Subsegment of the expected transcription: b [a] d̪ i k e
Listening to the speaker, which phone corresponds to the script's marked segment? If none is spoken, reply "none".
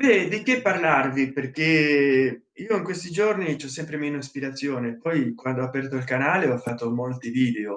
ɛ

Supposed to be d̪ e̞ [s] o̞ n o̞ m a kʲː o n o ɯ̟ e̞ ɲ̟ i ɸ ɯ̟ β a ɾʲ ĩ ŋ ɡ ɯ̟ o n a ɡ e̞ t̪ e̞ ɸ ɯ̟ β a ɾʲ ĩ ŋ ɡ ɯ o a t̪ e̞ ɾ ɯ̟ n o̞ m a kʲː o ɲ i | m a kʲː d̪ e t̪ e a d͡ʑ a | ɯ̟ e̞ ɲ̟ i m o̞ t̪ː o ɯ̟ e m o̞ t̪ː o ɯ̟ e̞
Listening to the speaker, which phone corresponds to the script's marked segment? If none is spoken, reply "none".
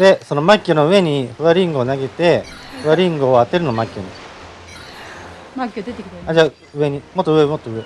s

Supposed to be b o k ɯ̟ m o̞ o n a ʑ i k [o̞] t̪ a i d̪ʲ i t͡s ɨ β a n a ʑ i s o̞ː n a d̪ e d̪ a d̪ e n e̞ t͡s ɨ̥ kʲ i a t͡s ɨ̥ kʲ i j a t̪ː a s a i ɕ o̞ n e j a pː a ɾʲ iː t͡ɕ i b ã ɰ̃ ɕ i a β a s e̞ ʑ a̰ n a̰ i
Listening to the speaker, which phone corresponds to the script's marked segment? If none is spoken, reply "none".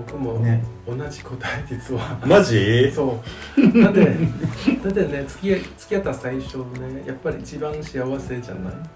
o̞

